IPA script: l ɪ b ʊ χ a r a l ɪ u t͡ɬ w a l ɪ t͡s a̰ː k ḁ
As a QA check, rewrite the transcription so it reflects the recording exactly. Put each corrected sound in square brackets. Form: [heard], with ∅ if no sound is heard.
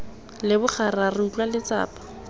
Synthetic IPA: l ɪ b ʊ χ a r a [r] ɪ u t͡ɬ w a l ɪ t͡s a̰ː [p] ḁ

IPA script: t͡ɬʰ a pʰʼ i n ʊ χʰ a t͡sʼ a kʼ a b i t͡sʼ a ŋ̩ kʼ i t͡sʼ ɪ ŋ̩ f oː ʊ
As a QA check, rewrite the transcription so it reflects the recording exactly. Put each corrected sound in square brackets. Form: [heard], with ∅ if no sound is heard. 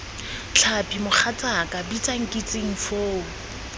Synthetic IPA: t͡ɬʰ a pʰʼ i [m] ʊ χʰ a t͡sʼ a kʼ a b i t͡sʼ a ŋ̩ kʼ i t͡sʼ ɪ ŋ̩ f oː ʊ

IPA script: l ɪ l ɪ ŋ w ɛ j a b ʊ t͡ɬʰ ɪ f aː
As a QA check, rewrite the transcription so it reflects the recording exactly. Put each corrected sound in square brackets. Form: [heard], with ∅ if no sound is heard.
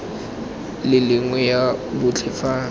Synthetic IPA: l ɪ l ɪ ŋ w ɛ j a b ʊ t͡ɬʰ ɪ f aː

